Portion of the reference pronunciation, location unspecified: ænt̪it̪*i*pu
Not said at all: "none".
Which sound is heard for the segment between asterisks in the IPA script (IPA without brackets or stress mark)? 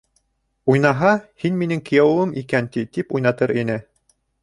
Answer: i